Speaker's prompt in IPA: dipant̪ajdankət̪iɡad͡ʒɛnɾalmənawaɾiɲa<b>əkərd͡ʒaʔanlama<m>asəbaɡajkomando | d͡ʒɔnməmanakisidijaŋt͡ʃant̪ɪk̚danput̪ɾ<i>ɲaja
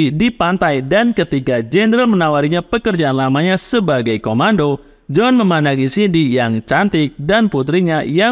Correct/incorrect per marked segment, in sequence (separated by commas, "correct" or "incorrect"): incorrect, incorrect, correct